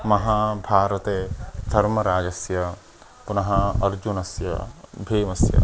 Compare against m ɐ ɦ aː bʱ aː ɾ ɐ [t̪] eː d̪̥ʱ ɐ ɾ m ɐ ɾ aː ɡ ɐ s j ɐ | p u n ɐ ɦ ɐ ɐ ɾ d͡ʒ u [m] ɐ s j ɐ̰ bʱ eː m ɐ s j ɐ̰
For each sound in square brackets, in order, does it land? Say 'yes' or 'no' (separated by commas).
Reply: yes, no